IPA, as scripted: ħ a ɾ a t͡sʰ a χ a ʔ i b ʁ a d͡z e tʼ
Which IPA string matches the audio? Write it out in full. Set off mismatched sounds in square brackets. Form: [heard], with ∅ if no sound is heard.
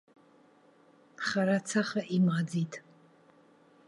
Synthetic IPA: [χ] a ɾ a t͡sʰ a χ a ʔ i [m] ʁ a d͡z [i] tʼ